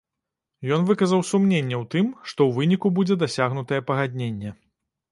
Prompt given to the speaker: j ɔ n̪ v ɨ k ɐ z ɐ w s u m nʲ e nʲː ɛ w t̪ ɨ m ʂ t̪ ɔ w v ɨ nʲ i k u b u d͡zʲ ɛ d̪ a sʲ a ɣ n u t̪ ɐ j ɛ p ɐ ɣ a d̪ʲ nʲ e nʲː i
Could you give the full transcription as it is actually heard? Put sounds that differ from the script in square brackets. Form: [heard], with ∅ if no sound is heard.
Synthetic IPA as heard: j ɔ n̪ v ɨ k ɐ z ɐ w s u m nʲ e nʲː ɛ w t̪ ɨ m ʂ t̪ ɔ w v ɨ nʲ i k u b u d͡zʲ ɛ d̪ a sʲ a ɣ n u t̪ ɐ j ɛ p ɐ ɣ a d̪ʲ nʲ e nʲː [ɛ]